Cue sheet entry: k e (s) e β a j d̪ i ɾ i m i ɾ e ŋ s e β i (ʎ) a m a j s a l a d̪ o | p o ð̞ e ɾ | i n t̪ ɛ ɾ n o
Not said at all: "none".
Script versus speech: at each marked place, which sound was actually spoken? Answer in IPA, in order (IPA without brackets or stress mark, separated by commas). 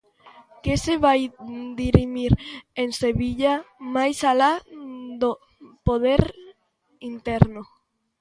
s, ʎ